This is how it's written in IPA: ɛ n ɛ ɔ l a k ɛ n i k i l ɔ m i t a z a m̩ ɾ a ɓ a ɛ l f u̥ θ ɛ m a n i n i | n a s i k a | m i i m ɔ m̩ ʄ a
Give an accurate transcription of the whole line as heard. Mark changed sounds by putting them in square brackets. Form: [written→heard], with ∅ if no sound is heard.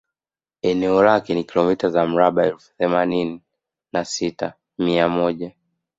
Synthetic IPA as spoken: ɛ n ɛ ɔ l a k ɛ n i k i l ɔ m i t a z a m̩ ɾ a ɓ a ɛ l f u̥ θ ɛ m a n i n i | n a s i [k→t] a | m i [i→a] m ɔ [m̩→∅] ʄ a